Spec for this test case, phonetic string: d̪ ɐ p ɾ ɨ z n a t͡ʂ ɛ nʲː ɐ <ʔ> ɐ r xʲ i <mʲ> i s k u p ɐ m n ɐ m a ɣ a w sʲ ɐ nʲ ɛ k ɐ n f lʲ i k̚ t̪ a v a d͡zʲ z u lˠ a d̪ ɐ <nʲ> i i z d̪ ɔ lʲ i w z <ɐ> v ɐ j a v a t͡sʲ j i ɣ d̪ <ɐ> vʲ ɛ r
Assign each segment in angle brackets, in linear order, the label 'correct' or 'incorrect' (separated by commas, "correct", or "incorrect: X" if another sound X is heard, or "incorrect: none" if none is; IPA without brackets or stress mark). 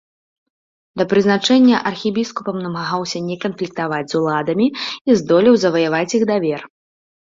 correct, incorrect: bʲ, incorrect: mʲ, correct, incorrect: a